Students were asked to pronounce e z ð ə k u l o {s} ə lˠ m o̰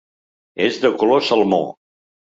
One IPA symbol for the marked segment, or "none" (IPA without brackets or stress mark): s